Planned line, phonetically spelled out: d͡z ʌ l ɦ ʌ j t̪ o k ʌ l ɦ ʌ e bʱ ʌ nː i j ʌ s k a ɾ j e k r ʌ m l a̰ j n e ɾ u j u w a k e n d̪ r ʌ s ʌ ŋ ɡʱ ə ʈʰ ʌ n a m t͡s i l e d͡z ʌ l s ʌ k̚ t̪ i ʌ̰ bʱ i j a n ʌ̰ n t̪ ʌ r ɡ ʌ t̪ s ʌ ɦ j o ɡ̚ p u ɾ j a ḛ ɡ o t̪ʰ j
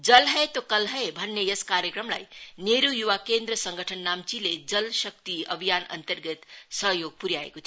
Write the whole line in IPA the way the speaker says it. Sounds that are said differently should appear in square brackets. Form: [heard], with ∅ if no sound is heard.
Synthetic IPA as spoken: d͡z ʌ l ɦ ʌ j t̪ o k ʌ l ɦ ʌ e bʱ ʌ nː [e] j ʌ s k a ɾ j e k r ʌ m l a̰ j n e ɾ u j u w a k e n d̪ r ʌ s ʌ ŋ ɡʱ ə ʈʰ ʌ [nː] a m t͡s i l e d͡z ʌ l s ʌ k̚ t̪ i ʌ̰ bʱ i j a n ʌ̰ n t̪ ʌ r ɡ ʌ t̪ s ʌ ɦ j o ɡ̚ p u ɾ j a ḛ [k] o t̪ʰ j